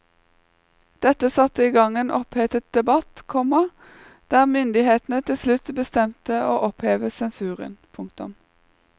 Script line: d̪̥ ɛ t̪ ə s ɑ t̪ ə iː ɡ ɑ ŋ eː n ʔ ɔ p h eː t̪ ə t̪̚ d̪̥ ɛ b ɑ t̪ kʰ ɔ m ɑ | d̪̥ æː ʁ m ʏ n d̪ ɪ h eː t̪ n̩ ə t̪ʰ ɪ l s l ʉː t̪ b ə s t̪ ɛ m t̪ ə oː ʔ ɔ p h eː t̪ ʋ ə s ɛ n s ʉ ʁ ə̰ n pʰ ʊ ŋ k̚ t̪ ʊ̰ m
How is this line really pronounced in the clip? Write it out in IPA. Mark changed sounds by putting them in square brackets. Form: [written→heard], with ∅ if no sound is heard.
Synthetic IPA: d̪̥ ɛ t̪ ə s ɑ t̪ ə iː ɡ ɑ ŋ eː n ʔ ɔ p h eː t̪ ə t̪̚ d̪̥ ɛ b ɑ t̪ kʰ ɔ m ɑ | d̪̥ æː ʁ m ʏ n d̪ ɪ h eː t̪ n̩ ə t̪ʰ ɪ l s l [ʉː→ʉ] t̪ b ə s t̪ ɛ m t̪ ə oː ʔ ɔ p h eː [t̪→∅] ʋ ə s ɛ n s [ʉ→ʉː] ʁ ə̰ n pʰ ʊ ŋ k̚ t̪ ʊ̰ m